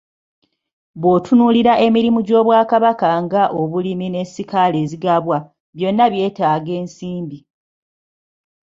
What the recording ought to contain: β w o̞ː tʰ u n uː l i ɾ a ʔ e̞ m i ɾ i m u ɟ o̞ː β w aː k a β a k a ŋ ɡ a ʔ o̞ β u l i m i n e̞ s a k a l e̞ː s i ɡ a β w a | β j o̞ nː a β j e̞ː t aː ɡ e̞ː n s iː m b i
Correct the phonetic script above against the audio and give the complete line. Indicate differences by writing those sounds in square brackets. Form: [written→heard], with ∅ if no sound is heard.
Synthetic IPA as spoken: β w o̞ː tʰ u n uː l i ɾ a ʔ e̞ m i ɾ i m u ɟ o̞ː β w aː k a β a k a ŋ ɡ a ʔ o̞ β u l i m i n e̞ s [a→i] k a l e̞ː [s→z] i ɡ a β w a | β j o̞ nː a β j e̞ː t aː ɡ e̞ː n s iː m b i

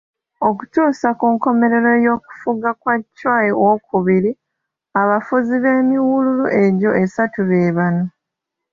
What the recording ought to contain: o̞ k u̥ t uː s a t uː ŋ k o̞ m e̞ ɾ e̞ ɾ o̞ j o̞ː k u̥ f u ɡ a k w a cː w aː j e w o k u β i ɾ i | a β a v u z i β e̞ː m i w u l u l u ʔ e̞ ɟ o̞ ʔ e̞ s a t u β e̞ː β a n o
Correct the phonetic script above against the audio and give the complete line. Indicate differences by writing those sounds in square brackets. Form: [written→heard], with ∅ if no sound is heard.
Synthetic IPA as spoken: o̞ k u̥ t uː s a [t→k] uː ŋ k o̞ m e̞ ɾ e̞ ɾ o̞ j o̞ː k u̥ f u ɡ a k w a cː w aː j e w o k u β i ɾ i | a β a [v→f] u z i β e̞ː m i w u l u l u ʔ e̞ ɟ o̞ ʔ e̞ s a t u β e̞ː β a n o

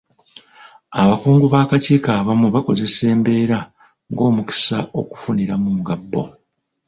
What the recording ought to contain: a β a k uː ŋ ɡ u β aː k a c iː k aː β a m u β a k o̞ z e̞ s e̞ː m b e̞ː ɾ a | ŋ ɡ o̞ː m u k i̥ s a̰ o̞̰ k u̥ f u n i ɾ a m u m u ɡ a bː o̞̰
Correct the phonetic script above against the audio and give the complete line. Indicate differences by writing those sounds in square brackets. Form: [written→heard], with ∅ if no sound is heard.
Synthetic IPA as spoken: a β a k uː ŋ ɡ u β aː k a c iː k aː β a m u β a k o̞ z e̞ s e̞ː m b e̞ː ɾ a | ŋ ɡ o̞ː m u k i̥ s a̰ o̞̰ k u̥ f u n i ɾ a m u m u ɡ a bː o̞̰

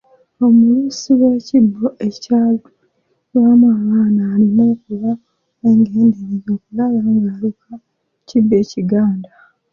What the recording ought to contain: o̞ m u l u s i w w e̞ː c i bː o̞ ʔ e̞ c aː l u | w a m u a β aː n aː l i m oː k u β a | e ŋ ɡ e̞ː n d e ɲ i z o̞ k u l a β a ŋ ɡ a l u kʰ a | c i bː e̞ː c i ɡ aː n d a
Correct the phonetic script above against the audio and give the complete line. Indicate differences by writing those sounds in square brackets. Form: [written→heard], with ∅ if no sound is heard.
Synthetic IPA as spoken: o̞ m u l u s i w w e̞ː c i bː o̞ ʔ e̞ c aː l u | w a m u a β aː n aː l i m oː k u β a | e ŋ ɡ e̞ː n d e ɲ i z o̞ k u l a β a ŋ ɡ a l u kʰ a | c i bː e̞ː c i ɡ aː n d a

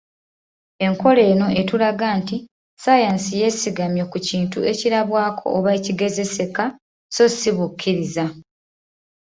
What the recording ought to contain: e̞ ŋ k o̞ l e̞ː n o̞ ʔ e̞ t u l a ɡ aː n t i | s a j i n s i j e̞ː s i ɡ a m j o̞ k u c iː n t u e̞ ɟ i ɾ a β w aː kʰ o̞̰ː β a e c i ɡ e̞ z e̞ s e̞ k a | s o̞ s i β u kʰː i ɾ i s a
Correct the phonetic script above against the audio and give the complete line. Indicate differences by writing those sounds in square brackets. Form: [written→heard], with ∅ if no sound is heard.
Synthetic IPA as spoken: e̞ ŋ k o̞ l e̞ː n o̞ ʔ e̞ t u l a ɡ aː n t i | s a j [i→a] n s i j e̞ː s i ɡ a m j o̞ k u c iː n t u e̞ [ɟ→c] i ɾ a β w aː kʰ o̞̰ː β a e c i ɡ e̞ z e̞ s e̞ k a | s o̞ s i β u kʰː i ɾ i [s→z] a

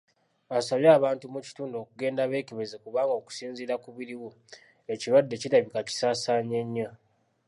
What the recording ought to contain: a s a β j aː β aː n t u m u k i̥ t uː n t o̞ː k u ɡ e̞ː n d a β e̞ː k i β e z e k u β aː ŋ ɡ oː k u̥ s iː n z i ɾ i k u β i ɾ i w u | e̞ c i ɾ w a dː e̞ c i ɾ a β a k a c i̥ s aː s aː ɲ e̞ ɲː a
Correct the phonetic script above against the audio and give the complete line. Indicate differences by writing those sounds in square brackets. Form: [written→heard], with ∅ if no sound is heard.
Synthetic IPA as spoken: a s a β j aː β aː n t u m u [k→c] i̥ t uː n [t→d] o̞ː k u ɡ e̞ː n d a β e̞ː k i β e z e k u β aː ŋ ɡ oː k u̥ s iː n z i ɾ [i→a] k u β i ɾ i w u | e̞ c i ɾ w a dː e̞ c i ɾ a β [a→i] k a c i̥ s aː s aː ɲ e̞ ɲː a

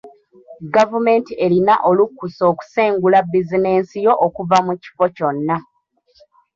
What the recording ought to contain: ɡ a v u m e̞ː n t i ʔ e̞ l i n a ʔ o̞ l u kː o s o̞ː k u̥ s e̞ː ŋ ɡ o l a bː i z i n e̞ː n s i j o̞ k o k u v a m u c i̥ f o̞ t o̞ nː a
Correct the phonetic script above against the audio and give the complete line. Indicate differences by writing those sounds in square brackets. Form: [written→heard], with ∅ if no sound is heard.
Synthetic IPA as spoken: ɡ a v u m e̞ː n t i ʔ e̞ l i n a ʔ o̞ l u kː [o→u] s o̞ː k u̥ s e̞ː ŋ ɡ [o→u] l a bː i z i n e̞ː n s i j o̞ [k→ʔ] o k u v a m u c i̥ f o̞ [t→c] o̞ nː a

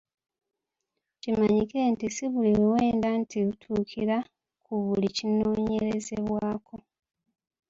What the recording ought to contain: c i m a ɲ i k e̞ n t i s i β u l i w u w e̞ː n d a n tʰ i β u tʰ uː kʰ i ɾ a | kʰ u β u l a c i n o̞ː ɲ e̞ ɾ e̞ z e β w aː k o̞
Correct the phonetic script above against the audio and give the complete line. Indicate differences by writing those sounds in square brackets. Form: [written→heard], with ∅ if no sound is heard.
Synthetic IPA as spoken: c i m a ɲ i k e̞ n t i s i β u l i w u w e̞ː n d a n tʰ i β u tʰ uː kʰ i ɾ a | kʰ u β u l [a→i] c i n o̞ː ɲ e̞ ɾ e̞ z e β w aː k o̞

